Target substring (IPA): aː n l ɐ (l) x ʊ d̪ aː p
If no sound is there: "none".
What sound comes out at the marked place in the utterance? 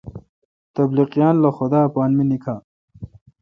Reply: none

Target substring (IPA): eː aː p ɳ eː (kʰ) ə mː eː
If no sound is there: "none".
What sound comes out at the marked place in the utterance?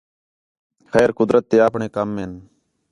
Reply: k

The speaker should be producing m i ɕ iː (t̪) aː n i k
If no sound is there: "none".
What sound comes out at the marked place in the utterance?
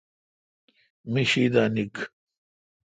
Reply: d̪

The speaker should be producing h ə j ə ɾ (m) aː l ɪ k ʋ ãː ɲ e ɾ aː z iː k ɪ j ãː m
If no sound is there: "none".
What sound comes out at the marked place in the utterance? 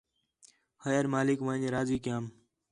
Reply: m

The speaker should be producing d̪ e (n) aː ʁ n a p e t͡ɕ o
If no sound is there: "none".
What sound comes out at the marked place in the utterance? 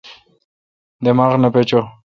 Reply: m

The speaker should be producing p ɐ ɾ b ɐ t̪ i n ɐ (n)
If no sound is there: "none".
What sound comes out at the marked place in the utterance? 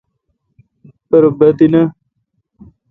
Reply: none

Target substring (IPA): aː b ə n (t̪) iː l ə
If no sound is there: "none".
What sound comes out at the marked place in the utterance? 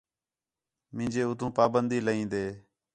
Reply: d̪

